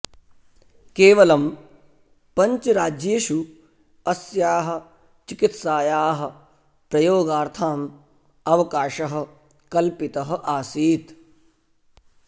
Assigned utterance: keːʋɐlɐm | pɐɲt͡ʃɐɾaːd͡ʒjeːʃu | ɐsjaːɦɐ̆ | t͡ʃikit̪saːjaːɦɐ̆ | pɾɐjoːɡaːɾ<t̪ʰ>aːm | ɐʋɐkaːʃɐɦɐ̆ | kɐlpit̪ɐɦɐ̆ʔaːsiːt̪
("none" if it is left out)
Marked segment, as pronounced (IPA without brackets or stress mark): t̪ʰ